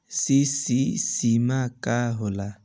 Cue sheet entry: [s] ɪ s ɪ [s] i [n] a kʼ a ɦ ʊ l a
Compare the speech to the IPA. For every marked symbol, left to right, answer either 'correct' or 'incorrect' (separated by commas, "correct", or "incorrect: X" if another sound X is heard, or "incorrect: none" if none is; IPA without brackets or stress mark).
correct, correct, incorrect: m